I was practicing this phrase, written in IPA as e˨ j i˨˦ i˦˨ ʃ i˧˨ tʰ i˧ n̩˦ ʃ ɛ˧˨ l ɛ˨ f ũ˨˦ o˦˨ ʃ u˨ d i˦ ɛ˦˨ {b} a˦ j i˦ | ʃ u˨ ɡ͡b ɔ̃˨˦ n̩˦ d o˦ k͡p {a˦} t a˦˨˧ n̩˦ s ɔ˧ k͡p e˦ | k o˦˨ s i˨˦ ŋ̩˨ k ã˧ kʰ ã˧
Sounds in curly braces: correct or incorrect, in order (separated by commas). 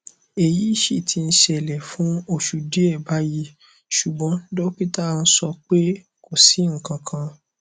correct, incorrect